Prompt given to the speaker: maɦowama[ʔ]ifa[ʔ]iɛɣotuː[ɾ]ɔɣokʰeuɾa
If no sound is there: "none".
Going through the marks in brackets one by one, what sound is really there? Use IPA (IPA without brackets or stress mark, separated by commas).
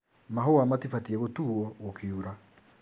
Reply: t, t, none